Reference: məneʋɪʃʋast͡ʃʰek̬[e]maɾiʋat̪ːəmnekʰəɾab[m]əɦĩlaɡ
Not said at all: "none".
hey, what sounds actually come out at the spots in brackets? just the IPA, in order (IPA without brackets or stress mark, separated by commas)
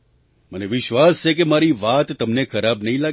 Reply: e, n